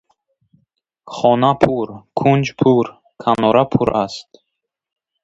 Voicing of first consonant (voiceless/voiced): voiceless